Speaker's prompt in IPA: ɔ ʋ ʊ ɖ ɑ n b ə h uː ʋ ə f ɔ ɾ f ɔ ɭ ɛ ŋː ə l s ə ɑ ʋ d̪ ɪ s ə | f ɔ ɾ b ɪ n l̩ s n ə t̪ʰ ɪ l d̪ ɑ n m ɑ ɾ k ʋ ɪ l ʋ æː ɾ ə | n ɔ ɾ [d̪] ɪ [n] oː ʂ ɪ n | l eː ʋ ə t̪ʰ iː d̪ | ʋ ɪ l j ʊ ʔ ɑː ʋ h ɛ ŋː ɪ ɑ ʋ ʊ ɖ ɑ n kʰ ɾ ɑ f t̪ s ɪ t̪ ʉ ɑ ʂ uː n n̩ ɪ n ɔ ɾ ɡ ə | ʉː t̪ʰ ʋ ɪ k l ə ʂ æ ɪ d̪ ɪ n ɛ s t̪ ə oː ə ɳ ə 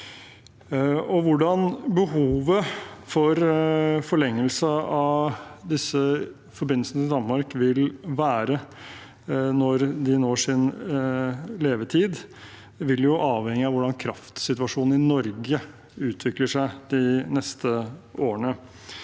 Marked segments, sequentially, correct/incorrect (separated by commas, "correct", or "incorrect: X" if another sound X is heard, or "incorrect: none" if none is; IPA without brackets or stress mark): correct, correct